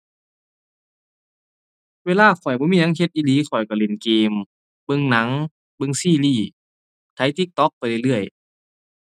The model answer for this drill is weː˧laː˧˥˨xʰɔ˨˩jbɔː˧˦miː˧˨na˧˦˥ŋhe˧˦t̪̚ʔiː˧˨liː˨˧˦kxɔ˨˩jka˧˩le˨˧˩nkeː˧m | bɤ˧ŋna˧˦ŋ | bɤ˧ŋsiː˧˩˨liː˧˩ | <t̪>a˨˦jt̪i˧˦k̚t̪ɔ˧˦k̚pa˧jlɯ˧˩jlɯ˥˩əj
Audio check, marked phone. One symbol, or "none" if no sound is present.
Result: t̪ʰ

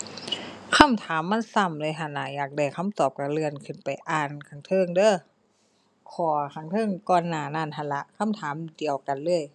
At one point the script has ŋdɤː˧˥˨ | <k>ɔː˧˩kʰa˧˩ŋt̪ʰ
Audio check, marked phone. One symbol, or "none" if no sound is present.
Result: kʰ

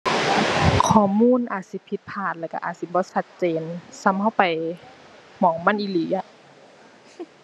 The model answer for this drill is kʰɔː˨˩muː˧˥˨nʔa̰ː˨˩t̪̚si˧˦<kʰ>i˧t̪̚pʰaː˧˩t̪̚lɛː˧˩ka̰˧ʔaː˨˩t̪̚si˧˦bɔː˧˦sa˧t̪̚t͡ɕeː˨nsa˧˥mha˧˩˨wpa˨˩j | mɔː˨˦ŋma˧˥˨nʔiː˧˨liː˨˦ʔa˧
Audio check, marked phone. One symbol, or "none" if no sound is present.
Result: pʰ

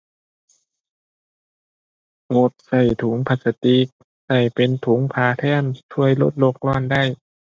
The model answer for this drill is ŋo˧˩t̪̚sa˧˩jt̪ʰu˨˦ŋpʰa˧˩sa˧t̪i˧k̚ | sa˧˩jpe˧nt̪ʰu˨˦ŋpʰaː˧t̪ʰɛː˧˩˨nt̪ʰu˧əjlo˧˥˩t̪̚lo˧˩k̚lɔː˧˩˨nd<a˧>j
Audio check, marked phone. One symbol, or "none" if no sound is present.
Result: a˥˩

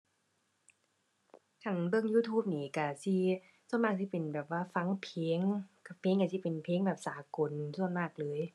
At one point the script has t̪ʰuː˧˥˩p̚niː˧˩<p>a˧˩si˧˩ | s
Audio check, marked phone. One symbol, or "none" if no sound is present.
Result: k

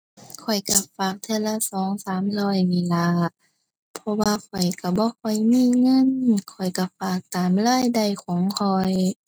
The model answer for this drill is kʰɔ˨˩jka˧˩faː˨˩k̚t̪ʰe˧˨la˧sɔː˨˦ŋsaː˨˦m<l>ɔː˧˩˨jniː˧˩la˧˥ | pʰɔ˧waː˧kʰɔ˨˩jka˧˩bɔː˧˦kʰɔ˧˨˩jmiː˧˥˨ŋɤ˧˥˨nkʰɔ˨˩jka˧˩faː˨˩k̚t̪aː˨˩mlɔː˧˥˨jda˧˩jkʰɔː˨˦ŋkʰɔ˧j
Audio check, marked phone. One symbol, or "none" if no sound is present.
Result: l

